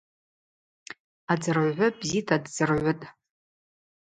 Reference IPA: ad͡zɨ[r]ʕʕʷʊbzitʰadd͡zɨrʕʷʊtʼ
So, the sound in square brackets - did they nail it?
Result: yes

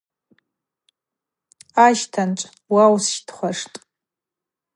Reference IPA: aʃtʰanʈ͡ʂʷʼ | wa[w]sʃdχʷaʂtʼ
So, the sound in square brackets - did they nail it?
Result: yes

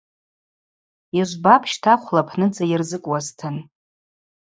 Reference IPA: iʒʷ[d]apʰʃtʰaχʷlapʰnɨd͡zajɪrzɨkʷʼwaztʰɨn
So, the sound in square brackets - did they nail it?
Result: no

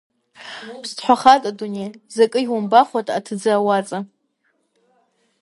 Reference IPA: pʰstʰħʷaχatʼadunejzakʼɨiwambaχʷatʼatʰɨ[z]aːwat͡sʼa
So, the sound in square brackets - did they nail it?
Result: no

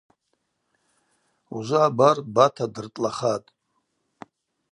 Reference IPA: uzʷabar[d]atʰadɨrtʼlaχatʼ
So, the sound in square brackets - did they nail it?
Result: no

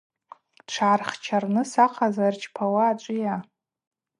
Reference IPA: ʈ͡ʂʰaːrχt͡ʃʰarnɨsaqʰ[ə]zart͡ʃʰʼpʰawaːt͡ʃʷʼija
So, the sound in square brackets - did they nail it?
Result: no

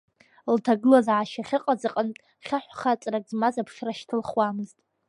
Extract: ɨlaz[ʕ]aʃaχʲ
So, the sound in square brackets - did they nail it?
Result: yes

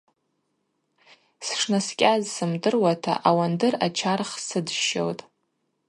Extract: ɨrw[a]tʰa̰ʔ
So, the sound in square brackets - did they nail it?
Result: yes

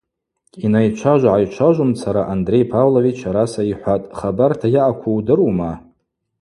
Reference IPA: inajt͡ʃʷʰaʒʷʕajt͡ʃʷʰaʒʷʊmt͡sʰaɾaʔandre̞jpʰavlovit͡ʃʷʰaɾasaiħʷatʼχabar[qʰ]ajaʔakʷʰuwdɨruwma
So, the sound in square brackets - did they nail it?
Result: no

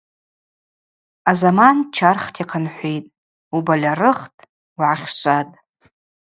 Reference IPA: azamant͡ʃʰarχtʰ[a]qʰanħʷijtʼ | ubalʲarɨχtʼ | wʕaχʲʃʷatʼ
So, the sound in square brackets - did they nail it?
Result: no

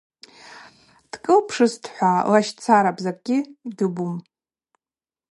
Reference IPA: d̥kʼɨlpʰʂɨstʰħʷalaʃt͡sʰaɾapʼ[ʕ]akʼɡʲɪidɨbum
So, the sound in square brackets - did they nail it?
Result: no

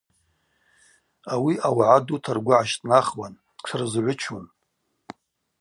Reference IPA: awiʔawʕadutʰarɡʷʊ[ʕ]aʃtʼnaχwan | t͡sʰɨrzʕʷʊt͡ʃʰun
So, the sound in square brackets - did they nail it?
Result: yes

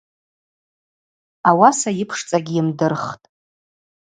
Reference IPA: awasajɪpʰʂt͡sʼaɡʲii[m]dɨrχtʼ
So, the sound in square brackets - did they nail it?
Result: yes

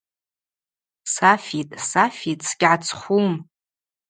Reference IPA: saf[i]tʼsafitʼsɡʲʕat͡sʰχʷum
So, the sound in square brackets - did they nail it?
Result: yes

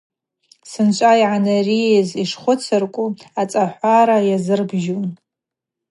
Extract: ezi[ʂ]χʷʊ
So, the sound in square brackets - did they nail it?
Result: yes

